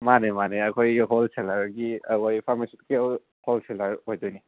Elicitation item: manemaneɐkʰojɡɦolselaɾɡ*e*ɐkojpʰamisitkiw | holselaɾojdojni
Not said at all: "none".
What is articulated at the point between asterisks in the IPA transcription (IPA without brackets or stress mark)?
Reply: i